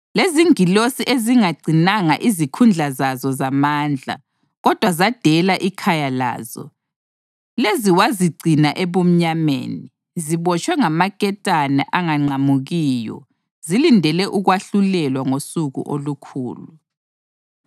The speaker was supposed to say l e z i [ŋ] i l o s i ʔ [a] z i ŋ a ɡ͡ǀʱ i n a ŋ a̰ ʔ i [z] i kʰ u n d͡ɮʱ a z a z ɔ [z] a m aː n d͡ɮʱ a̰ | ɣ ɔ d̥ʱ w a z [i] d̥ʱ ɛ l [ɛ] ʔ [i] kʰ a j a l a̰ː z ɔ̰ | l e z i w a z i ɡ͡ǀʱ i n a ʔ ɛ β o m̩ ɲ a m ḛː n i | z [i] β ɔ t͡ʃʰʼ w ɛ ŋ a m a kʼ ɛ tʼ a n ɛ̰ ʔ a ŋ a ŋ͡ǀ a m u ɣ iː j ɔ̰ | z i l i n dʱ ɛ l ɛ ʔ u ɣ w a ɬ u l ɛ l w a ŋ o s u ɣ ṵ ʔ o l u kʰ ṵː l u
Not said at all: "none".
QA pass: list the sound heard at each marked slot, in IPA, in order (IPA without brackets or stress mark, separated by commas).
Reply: ŋ, e, z, z, a, a, i, i